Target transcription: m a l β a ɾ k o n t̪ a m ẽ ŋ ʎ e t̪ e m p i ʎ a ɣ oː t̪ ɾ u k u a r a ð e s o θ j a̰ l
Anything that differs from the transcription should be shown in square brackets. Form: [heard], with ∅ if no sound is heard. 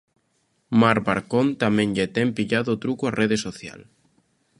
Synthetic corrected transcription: m a [ɾ] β a ɾ k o n t̪ a m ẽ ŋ ʎ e t̪ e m p i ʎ a [ð] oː t̪ ɾ u k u a r [e] ð e s o θ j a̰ l